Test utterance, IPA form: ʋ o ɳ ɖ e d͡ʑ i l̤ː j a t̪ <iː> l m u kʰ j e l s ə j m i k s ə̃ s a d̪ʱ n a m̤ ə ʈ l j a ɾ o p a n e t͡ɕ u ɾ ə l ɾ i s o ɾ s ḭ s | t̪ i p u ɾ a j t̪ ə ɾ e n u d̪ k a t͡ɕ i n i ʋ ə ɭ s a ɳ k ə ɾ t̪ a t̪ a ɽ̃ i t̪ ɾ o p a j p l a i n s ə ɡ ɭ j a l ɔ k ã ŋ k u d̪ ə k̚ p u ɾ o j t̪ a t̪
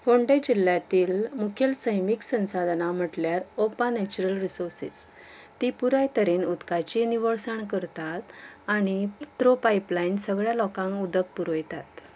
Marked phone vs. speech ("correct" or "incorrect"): correct